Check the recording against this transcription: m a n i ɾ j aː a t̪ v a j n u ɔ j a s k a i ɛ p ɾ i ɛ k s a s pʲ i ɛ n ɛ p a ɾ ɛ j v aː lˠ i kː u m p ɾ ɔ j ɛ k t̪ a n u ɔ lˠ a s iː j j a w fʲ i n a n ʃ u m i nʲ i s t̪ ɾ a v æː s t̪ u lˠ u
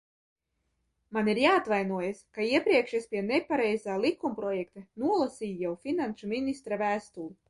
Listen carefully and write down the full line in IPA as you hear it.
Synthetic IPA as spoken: m a n i ɾ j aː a t̪ v a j n u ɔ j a s k a i ɛ p ɾ i ɛ k ʃ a s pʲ i ɛ n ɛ p a ɾ ɛ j z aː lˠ i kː u m p ɾ ɔ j ɛ k t̪ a n u ɔ lˠ a s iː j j a w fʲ i n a n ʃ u m i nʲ i s t̪ ɾ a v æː s t̪ u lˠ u